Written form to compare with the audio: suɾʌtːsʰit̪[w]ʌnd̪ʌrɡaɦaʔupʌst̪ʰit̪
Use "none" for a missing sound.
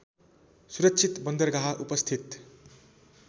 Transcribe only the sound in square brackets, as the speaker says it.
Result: b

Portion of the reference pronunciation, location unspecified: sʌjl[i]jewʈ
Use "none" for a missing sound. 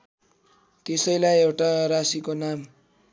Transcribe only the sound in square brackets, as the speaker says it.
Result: a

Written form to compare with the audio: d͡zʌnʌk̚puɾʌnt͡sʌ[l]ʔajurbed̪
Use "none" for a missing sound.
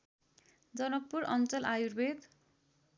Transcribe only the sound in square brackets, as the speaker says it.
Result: l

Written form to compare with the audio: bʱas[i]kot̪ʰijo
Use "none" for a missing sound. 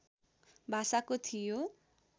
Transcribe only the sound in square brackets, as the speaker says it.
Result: a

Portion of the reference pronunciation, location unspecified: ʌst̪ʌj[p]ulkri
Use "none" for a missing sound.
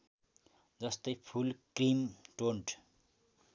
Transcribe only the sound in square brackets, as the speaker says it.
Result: pʰ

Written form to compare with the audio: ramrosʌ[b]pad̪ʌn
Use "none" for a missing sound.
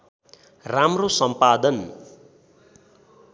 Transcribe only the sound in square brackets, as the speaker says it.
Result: m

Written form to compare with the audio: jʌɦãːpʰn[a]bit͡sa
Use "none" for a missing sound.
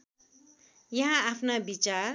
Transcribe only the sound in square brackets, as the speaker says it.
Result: a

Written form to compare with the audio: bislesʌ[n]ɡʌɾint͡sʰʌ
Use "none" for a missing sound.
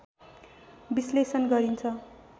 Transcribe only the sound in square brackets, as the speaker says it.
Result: n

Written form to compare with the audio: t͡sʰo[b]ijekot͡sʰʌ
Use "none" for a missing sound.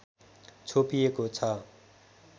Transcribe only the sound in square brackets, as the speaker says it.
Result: p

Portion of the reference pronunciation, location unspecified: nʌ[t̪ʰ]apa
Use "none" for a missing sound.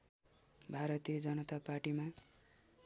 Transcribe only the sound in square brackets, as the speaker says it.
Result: t̪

